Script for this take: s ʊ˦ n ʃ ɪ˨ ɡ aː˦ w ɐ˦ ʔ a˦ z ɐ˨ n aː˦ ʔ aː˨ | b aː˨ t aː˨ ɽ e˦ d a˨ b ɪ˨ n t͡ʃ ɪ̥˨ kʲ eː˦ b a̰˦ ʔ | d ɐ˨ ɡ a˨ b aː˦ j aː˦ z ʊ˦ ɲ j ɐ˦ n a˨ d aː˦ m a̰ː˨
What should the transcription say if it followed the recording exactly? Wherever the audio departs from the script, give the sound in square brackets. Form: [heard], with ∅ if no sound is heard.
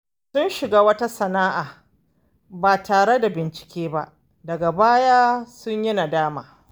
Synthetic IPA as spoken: s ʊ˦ n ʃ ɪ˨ ɡ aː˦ w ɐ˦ [t] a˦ [s] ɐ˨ n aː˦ ʔ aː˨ | b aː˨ t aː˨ ɽ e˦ d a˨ b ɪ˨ n t͡ʃ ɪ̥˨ kʲ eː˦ b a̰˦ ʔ | d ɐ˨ ɡ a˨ b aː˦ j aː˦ [s] ʊ˦ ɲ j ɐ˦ n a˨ d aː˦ m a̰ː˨